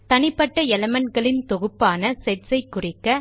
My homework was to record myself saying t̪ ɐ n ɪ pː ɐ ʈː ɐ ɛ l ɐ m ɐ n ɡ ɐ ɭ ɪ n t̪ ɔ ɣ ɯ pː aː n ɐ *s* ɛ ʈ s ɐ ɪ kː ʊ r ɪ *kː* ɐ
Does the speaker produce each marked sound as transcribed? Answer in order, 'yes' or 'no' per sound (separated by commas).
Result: yes, yes